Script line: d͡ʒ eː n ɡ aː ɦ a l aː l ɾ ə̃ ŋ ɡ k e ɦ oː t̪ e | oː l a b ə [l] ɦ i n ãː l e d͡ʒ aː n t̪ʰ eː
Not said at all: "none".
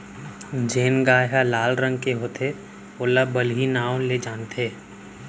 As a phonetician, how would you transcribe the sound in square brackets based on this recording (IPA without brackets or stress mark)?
l